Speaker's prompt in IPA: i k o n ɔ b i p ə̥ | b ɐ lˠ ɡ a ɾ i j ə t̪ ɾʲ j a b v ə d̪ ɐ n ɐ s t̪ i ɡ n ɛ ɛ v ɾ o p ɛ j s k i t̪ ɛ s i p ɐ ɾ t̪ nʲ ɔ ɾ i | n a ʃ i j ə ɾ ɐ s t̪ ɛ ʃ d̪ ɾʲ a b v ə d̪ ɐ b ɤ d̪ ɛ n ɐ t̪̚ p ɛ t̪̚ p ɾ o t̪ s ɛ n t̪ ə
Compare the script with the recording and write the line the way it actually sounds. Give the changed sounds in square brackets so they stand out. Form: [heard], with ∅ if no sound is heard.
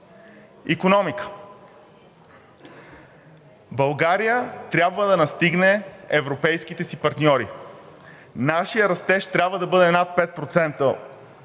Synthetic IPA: i k o n ɔ [m] i [k] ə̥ | b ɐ lˠ ɡ a ɾ i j ə t̪ ɾʲ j a b v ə d̪ ɐ n ɐ s t̪ i ɡ n ɛ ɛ v ɾ o p ɛ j s k i t̪ ɛ s i p ɐ ɾ t̪ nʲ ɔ ɾ i | n a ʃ i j ə ɾ ɐ s t̪ ɛ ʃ [t̪] ɾʲ a b v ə d̪ ɐ b ɤ d̪ ɛ n [a] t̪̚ p ɛ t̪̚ p ɾ o t̪ s ɛ n t̪ ə